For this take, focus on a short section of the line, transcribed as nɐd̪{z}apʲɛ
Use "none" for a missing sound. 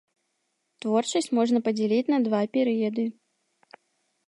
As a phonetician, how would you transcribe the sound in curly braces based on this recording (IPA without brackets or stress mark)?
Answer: v